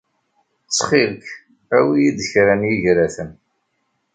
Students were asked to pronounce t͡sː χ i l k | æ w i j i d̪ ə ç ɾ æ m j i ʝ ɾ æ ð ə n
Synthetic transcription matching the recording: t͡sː χ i l k | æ w i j i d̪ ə ç ɾ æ n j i ʝ ɾ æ θ ə n